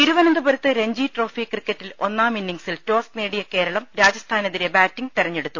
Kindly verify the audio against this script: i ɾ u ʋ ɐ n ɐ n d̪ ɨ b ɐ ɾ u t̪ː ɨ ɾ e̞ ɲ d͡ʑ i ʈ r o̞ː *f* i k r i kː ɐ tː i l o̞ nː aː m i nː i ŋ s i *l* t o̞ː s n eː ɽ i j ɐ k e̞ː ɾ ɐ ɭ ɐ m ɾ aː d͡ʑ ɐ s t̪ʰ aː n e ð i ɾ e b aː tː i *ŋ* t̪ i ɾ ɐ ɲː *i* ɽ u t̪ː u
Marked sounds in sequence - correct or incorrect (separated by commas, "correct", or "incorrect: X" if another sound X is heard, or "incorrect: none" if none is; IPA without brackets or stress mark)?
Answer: correct, correct, correct, incorrect: e